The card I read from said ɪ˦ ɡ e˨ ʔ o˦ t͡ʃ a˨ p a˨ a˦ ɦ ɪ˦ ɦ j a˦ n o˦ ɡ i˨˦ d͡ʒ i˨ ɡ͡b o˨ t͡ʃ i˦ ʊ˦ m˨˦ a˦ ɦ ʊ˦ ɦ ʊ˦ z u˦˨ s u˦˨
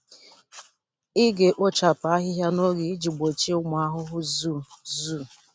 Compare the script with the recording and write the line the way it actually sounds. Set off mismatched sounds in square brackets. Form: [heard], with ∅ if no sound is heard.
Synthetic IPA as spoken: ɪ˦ ɡ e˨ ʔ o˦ t͡ʃ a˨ p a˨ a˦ ɦ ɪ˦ ɦ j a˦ n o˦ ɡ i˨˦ d͡ʒ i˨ ɡ͡b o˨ t͡ʃ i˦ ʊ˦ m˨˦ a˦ ɦ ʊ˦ ɦ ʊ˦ z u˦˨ [z] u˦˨